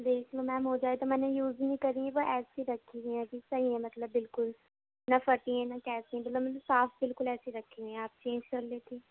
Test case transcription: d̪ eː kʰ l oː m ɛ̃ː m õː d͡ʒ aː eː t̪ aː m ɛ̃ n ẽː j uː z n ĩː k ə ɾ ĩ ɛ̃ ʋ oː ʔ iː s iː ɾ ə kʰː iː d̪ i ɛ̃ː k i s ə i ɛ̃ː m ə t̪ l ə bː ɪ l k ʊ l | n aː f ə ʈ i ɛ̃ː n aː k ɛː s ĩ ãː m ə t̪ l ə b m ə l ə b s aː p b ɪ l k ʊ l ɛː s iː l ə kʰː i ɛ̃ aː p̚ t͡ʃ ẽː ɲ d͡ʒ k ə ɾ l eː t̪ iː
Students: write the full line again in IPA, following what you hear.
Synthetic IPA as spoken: d̪ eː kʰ l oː m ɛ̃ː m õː d͡ʒ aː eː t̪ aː m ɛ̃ n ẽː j uː z n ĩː k ə ɾ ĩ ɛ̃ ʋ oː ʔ ɛː s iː ɾ ə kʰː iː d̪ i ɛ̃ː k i s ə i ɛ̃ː m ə t̪ l ə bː ɪ l k ʊ l | n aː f ə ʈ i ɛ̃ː n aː k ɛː s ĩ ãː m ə t̪ l ə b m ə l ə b s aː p b ɪ l k ʊ l ɛː s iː ɾ ə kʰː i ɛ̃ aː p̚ t͡ʃ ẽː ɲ d͡ʒ k ə ɾ l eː t̪ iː